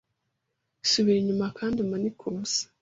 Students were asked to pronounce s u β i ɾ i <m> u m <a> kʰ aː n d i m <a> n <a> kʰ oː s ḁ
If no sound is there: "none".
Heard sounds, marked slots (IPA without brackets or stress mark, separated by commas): ɲ, a, a, i